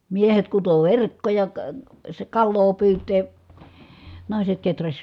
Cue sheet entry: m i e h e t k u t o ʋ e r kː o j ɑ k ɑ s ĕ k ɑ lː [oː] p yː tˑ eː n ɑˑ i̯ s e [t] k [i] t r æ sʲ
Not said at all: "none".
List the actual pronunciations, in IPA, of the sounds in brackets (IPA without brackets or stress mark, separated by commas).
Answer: oː, t, e